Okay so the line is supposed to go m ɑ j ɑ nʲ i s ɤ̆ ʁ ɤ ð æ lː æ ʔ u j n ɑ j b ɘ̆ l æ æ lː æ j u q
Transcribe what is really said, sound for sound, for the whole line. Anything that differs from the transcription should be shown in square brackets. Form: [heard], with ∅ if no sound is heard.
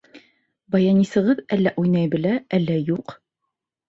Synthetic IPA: [b] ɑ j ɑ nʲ i s ɤ̆ ʁ ɤ ð æ lː æ ʔ u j n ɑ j b ɘ̆ l æ æ lː æ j u q